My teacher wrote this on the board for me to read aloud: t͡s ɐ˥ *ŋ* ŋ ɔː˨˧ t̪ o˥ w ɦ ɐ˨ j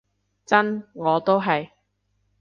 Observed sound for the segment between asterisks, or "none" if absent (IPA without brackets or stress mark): n